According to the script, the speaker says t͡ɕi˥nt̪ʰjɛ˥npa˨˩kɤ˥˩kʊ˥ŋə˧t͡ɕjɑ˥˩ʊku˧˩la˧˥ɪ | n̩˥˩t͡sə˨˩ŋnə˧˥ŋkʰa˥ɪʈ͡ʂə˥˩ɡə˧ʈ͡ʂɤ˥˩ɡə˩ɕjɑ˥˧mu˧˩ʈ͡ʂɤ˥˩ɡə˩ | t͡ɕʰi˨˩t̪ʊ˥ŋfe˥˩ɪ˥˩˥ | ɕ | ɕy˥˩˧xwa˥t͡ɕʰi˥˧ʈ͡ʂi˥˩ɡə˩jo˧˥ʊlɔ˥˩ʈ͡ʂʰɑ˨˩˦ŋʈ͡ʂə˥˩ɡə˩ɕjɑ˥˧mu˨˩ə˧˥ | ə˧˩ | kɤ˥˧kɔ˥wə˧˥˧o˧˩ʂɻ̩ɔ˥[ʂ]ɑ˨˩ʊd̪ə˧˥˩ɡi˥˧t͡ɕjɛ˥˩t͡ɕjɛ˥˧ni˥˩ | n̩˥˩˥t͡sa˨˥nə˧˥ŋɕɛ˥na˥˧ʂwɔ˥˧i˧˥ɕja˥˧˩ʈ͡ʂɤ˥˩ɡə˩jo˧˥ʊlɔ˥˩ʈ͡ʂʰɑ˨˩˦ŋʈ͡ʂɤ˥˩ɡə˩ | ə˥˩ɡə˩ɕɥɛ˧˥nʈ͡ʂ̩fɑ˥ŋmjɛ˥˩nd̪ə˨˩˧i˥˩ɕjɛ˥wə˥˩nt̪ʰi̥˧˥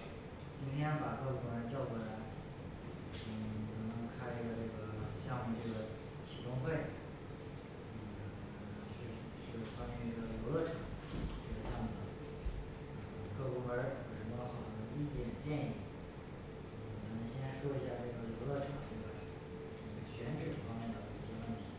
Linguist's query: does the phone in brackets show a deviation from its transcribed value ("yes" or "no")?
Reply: yes